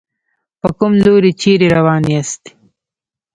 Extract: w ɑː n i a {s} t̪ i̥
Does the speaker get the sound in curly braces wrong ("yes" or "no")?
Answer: no